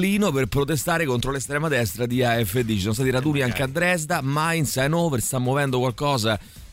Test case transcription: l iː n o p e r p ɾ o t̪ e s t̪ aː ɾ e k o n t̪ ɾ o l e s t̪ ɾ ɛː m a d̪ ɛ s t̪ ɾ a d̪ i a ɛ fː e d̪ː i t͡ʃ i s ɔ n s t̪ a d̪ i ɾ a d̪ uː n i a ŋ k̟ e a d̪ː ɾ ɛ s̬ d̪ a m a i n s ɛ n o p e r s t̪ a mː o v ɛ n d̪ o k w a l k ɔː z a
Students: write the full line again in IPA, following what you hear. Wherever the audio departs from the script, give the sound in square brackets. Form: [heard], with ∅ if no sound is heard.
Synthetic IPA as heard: l iː n o p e r p ɾ o t̪ e s t̪ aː ɾ e k o n t̪ ɾ o l e s t̪ ɾ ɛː m a d̪ ɛ s t̪ ɾ a d̪ i a ɛ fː e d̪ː i t͡ʃ i s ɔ n s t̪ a [t̪] i ɾ a d̪ uː n i a ŋ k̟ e a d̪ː ɾ ɛ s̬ d̪ a m a i n s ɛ n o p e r s t̪ a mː o v ɛ n d̪ o k w a l k ɔː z a